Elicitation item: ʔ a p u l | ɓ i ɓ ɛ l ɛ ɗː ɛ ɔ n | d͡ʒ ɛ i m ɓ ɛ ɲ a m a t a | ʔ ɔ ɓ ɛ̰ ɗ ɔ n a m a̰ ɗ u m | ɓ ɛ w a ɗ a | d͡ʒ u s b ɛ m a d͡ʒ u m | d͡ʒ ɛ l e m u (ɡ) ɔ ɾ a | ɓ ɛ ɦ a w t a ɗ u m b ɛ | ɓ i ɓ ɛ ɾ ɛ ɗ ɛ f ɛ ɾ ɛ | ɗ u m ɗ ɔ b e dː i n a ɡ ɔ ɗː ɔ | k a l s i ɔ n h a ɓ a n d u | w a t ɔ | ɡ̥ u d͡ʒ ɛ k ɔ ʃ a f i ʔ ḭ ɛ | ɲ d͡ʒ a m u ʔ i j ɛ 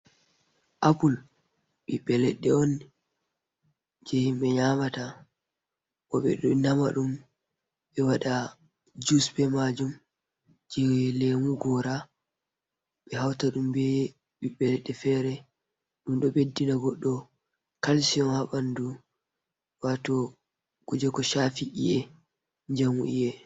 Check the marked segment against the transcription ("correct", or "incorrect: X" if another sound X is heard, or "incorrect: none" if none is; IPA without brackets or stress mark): correct